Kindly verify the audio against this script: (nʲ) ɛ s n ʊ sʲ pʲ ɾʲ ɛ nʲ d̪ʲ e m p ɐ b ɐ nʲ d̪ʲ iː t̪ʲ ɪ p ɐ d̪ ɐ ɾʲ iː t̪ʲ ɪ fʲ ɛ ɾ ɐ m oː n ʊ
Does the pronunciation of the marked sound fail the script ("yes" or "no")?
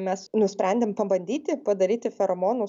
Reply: yes